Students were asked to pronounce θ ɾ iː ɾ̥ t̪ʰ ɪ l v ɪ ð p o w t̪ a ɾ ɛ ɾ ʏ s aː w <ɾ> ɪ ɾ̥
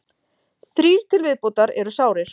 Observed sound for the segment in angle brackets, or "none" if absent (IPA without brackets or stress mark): ɾ